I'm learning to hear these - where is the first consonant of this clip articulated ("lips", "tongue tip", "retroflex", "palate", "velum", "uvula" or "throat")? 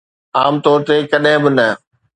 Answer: lips